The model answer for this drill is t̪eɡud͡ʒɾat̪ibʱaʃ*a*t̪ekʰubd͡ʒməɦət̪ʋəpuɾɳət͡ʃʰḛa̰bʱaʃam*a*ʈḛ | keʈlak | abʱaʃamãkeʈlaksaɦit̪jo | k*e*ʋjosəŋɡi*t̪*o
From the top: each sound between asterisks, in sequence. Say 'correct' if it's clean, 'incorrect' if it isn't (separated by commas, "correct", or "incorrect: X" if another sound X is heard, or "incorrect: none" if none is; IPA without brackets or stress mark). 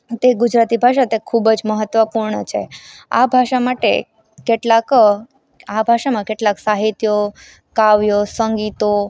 correct, correct, incorrect: a, correct